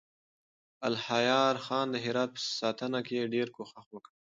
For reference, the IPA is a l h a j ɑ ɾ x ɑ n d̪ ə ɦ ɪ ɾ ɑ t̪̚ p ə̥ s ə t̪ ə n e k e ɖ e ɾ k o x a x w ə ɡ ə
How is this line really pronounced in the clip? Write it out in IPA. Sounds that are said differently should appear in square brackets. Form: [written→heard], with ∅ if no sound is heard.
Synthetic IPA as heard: a l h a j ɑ ɾ x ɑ n d̪ ə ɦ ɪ ɾ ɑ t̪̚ p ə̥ s [ə→ɑ] t̪ ə n [e→a] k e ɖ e ɾ k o x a x w ə [ɡ→k] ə